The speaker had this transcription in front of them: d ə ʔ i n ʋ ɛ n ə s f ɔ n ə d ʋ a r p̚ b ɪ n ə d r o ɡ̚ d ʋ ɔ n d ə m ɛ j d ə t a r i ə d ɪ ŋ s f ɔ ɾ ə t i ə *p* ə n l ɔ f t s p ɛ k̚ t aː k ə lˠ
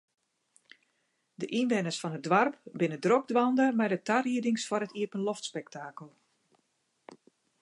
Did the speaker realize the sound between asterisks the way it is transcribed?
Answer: yes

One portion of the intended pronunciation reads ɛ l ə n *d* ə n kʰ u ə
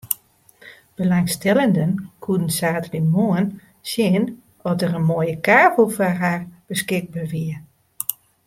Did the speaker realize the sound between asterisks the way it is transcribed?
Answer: yes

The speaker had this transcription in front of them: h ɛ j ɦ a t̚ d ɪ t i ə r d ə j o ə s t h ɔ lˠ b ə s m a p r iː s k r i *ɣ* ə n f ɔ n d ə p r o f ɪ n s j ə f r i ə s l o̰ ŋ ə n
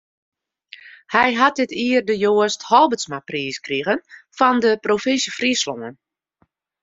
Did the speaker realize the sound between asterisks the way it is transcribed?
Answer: yes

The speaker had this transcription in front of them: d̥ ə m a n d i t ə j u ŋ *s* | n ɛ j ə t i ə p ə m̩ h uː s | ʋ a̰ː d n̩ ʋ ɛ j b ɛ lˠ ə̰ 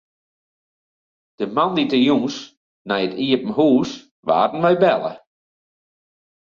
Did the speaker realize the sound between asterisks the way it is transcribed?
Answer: yes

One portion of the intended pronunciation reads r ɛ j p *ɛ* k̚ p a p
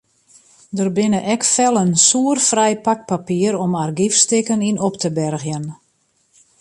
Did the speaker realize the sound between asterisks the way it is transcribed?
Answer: no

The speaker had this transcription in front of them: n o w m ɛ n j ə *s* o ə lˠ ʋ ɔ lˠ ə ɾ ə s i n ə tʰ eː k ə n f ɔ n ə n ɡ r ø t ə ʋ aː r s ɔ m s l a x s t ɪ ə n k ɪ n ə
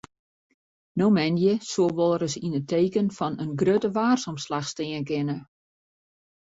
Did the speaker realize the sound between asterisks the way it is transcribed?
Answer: yes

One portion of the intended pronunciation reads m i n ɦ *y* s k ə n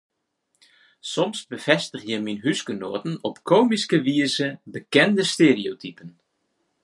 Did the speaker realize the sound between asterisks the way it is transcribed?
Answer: yes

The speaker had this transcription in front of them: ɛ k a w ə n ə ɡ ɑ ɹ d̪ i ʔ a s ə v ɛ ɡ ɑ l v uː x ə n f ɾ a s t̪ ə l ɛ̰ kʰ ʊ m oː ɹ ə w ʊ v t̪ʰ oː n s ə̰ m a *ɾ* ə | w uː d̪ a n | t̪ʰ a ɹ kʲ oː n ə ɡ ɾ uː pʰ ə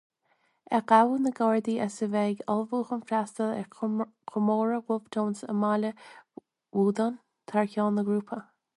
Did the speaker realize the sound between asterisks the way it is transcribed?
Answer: no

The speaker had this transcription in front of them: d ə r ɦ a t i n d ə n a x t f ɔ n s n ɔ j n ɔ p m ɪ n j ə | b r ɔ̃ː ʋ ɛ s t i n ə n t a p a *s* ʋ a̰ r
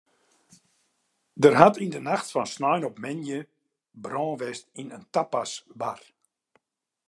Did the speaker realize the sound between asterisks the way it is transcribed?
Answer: yes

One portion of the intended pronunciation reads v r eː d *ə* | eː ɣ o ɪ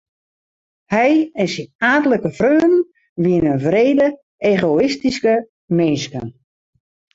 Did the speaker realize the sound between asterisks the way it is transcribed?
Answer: yes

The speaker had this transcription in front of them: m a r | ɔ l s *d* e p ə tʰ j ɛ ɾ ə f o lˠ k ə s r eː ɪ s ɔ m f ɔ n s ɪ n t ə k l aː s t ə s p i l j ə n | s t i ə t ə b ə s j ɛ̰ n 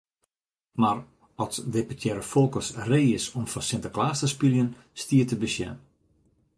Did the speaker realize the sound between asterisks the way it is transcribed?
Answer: yes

